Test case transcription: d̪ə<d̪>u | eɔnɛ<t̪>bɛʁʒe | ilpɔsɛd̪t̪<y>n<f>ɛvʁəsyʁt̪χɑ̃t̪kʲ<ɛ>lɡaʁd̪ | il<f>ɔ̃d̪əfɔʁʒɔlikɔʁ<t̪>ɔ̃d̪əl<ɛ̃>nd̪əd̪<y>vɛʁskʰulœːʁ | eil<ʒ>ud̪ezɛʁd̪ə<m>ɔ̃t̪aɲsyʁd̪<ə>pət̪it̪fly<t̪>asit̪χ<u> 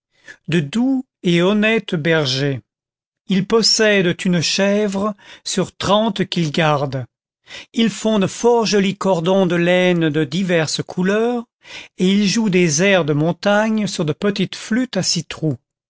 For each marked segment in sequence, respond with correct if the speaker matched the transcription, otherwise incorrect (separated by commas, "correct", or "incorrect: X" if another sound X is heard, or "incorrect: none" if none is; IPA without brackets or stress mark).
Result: correct, correct, correct, incorrect: ʃ, incorrect: i, correct, incorrect: d̪, incorrect: ɛ, incorrect: i, correct, correct, correct, correct, correct